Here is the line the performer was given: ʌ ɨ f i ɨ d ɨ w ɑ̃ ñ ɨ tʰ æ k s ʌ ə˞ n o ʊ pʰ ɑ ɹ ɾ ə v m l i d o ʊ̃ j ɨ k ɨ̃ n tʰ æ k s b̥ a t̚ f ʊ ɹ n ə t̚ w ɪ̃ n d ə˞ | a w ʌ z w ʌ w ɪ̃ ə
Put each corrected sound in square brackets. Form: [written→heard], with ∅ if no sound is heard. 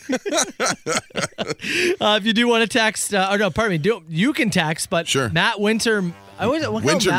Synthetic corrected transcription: ʌ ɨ f [i→j] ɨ d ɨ w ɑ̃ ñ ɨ tʰ æ k s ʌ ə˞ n o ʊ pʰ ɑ ɹ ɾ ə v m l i d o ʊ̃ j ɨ k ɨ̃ n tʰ æ k s b̥ [a→ʌ] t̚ [f→ʃ] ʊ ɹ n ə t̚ w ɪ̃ n [d→t] ə˞ | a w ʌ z w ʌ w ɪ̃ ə